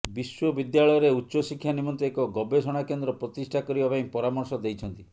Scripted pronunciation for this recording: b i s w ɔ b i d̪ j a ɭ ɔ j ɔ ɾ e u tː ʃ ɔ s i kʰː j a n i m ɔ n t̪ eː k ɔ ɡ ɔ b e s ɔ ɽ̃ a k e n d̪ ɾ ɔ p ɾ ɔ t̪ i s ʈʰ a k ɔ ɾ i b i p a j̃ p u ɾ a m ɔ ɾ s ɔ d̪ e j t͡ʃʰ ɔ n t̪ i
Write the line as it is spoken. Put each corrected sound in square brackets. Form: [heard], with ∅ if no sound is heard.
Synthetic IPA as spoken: b i s w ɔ b i d̪ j a ɭ ɔ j ɔ ɾ e u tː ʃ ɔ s i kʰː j a n i m ɔ n t̪ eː k ɔ ɡ ɔ b e s ɔ ɽ̃ a k e n d̪ ɾ ɔ p ɾ ɔ t̪ i s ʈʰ a k ɔ ɾ i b [a] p a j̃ p [ɔ] ɾ a m ɔ ɾ s ɔ d̪ e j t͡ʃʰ ɔ n t̪ i